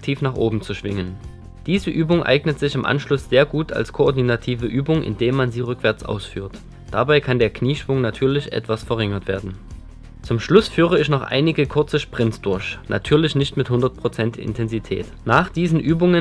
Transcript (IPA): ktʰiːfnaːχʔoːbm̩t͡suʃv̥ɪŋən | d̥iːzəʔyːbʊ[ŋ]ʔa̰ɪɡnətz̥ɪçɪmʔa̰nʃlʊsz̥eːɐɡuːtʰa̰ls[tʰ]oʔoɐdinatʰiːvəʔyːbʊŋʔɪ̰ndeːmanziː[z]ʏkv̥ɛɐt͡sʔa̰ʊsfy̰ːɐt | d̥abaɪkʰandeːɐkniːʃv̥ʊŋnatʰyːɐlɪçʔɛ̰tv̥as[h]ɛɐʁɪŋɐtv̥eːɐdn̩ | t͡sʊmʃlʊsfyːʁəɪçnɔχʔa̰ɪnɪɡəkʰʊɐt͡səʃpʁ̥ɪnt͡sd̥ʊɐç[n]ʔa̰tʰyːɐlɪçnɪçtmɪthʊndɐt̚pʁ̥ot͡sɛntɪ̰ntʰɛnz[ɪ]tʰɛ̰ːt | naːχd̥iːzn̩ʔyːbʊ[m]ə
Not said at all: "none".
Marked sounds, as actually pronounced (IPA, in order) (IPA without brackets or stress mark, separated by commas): ŋ, kʰ, ʁ, f, n, i, ŋ